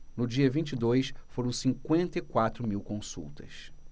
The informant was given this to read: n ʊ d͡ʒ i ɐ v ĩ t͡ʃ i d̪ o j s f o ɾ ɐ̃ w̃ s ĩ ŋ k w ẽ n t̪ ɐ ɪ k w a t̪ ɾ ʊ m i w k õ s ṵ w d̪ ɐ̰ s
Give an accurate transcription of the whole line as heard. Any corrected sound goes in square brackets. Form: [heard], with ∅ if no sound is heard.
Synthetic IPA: n ʊ d͡ʒ i ɐ v ĩ t͡ʃ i d̪ o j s f o ɾ ɐ̃ w̃ s ĩ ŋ k w ẽ n t̪ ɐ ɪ k w a t̪ ɾ ʊ m i w k õ s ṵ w [t̪] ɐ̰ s